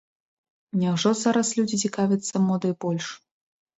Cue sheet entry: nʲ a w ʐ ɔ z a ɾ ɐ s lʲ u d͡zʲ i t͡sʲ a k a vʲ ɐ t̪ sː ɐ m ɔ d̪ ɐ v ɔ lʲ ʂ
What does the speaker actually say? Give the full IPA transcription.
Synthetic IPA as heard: nʲ a w ʐ ɔ z a ɾ ɐ s lʲ u d͡zʲ i t͡sʲ i k a vʲ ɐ t̪ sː ɐ m ɔ d̪ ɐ b ɔ lʲ ʂ